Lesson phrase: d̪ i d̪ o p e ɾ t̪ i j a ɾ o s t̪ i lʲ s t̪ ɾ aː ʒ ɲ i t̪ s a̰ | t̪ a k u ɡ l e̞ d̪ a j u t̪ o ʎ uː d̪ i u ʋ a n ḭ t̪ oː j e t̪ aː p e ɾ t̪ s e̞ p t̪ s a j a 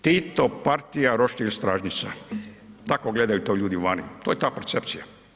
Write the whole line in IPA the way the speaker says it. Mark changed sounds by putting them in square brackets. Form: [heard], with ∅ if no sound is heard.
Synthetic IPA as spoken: [t̪] i [t̪] o p [a] ɾ t̪ i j a ɾ o [ʃ] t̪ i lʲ s t̪ ɾ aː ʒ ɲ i t̪ s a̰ | t̪ a k [o] ɡ l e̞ d̪ a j u t̪ o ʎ uː d̪ i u ʋ a n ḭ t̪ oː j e t̪ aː p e ɾ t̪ s e̞ p t̪ s [i] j a